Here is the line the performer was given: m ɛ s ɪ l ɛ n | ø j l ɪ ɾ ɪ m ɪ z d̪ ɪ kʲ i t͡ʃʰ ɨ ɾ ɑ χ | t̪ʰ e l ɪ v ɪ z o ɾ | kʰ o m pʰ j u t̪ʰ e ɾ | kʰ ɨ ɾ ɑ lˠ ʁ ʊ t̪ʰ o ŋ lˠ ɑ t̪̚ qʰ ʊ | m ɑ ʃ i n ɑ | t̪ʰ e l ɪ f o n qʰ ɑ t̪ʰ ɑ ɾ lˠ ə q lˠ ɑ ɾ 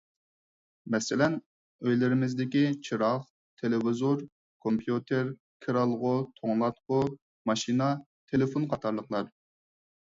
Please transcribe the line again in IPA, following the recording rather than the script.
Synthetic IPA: m ɛ s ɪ l ɛ n | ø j l ɪ ɾ ɪ m ɪ z d̪ ɪ kʲ i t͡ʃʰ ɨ ɾ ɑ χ | t̪ʰ e l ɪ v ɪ z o ɾ | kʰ o m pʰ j u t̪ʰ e ɾ | kʰ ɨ ɾ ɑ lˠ ʁ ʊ t̪ʰ o ŋ lˠ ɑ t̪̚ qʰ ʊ | m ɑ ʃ i n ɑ | t̪ʰ e l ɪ f o n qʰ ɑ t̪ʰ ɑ ɾ lˠ ə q lˠ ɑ ɾ